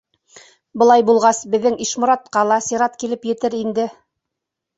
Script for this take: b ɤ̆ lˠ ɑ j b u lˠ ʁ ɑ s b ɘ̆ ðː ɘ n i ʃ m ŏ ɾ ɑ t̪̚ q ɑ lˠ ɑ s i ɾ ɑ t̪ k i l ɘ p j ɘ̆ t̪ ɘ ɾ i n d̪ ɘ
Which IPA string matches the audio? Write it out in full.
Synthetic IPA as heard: b ɤ̆ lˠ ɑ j b u lˠ ʁ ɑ s b ɘ̆ ðː ɘ ŋ i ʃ m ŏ ɾ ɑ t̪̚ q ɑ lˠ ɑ s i ɾ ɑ t̪ k i l ɘ p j ɘ̆ t̪ ɘ ɾ i n d̪ ɘ